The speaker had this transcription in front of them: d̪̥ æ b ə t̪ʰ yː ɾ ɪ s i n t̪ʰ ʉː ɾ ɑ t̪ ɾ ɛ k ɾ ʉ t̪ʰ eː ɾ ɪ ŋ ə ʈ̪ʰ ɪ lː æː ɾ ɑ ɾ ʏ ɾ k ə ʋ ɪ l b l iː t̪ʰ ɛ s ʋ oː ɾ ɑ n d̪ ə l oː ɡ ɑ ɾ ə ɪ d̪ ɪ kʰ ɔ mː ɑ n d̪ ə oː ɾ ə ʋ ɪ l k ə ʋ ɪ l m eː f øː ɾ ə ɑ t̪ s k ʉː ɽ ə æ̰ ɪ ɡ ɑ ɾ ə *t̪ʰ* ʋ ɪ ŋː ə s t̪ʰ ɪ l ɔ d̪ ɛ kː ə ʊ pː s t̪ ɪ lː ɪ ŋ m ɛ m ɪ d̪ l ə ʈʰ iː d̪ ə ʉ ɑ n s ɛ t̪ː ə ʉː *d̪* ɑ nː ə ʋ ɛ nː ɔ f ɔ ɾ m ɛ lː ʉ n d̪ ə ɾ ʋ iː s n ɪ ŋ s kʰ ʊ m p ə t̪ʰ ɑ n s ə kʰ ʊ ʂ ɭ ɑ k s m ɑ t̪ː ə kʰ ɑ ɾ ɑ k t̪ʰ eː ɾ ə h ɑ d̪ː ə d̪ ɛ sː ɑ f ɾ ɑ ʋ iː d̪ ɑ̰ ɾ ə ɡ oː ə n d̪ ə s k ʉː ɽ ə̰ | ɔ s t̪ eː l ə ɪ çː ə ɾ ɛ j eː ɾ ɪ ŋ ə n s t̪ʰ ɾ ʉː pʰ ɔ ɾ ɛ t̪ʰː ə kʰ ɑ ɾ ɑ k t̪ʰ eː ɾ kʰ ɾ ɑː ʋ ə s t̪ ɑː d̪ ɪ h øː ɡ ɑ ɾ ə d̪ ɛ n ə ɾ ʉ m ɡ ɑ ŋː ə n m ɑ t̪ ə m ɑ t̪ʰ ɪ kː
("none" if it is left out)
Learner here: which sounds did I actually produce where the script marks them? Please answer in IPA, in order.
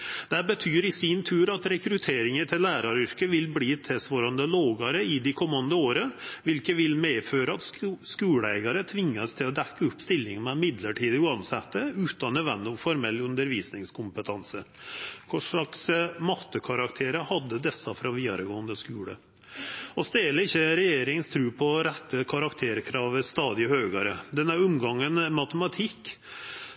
t̪ʰ, t̪

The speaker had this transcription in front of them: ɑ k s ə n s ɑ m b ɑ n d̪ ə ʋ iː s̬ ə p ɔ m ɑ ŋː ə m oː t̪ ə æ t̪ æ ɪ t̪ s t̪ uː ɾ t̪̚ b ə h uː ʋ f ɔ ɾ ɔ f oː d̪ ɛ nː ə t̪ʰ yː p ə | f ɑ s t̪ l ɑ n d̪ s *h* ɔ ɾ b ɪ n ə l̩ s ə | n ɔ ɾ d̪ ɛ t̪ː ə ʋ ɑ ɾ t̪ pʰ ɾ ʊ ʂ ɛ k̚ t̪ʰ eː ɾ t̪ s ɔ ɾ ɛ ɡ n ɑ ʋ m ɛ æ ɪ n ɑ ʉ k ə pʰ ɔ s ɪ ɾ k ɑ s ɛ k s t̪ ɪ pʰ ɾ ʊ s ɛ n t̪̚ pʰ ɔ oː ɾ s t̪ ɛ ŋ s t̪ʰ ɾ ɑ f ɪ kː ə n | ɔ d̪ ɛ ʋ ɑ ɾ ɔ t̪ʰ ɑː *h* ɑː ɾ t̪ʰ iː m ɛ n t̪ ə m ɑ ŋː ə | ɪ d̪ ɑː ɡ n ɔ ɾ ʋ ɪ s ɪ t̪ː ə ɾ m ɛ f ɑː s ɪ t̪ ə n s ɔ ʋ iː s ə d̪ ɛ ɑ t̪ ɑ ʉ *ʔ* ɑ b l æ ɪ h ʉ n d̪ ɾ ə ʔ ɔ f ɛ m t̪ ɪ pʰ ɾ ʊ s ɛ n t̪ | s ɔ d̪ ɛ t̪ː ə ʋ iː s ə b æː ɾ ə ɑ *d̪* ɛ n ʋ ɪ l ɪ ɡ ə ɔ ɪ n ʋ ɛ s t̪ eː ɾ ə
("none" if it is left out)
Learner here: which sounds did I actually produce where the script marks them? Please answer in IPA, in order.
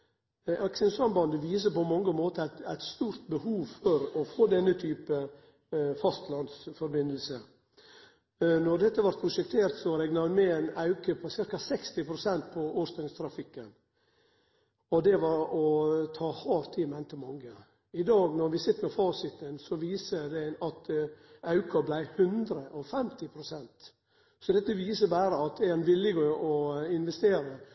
f, h, k, t̪

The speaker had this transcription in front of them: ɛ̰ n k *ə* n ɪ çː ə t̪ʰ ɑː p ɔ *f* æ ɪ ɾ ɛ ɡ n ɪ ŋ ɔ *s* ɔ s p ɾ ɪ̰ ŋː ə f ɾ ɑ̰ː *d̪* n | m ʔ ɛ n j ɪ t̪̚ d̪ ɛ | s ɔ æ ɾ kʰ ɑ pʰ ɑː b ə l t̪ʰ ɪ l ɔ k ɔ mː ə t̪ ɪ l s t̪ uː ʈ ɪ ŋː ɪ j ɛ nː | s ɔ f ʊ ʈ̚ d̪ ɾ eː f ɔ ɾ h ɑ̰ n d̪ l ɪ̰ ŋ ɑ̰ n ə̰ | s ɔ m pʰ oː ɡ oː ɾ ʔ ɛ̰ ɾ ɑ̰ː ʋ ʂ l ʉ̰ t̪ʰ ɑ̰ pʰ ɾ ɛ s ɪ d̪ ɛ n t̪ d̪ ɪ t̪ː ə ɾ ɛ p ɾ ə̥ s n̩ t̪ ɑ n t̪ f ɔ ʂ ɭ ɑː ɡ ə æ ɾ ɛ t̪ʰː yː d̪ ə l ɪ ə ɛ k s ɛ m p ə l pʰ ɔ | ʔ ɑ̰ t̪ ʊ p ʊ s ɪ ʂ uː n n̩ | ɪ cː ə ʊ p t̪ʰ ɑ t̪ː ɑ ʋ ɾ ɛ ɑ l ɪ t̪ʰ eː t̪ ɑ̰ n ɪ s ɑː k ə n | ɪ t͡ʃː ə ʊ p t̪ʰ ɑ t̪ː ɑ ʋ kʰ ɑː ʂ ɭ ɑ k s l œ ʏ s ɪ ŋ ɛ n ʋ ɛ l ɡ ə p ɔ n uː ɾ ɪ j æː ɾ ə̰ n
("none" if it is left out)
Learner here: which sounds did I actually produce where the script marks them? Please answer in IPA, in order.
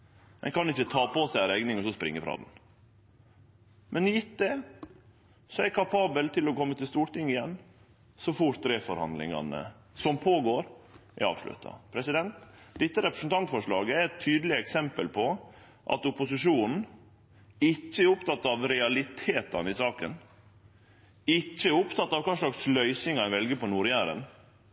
ɑ, s, s, d̪

